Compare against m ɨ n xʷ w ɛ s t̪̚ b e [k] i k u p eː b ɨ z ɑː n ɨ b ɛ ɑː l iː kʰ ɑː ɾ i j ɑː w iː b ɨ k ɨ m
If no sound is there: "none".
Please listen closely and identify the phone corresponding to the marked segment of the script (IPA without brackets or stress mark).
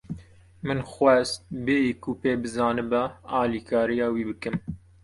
none